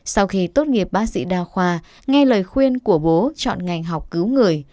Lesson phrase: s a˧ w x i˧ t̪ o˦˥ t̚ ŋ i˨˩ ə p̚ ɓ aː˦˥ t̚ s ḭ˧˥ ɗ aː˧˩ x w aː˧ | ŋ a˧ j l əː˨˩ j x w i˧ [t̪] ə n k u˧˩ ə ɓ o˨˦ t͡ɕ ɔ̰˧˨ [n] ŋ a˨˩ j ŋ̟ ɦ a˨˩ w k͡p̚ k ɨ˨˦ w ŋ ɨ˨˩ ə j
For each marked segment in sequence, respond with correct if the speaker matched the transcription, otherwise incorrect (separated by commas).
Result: incorrect, correct